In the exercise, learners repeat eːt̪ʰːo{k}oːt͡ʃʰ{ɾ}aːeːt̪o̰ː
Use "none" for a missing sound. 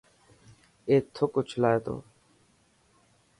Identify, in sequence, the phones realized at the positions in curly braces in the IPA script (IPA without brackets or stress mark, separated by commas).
k, l